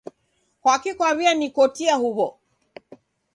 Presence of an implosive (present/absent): absent